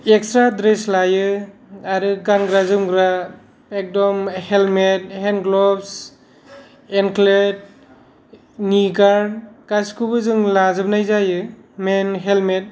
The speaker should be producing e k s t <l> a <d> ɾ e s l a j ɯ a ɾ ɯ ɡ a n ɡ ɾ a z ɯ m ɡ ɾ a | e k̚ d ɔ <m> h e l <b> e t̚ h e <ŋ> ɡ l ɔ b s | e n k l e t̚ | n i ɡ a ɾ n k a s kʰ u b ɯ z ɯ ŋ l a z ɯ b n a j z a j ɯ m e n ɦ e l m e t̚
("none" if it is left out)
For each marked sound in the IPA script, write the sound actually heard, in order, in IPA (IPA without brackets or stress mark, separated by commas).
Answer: ɾ, d, m, m, n